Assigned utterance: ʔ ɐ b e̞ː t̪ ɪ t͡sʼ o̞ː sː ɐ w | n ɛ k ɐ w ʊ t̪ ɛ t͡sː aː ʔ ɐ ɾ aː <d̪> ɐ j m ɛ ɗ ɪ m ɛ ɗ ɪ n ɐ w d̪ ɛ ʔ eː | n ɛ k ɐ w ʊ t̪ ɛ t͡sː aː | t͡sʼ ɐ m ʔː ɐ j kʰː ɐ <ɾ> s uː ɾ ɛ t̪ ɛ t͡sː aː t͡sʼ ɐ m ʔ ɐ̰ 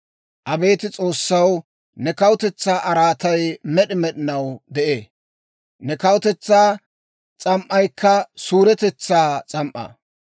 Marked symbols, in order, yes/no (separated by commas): no, no